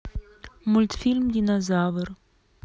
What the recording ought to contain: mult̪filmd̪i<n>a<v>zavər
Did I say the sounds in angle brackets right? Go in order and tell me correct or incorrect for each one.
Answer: correct, incorrect: none

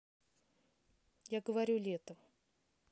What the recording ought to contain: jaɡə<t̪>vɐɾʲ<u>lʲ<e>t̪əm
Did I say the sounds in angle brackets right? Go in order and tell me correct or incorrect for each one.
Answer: incorrect: none, correct, correct

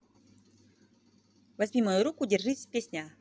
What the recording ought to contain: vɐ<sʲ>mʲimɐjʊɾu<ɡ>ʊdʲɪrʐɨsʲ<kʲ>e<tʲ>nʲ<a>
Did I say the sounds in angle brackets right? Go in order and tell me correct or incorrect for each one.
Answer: incorrect: zʲ, incorrect: k, incorrect: pʲ, incorrect: sʲ, correct

